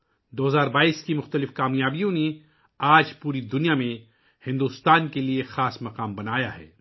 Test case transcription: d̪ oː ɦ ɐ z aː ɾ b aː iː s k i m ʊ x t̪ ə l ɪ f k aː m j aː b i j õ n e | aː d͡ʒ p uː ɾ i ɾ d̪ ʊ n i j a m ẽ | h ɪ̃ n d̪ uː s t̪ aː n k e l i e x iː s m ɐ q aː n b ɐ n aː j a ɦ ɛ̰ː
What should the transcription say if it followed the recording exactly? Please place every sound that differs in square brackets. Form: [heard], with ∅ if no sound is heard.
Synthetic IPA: d̪ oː ɦ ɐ z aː ɾ b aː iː s k i m ʊ x t̪ ə l ɪ f k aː m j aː b i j õ n e | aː d͡ʒ p uː ɾ i [∅] d̪ ʊ n i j a m ẽ | h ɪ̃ n d̪ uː s t̪ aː n k e l i e x [aː] s m ɐ q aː [m] b ɐ n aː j a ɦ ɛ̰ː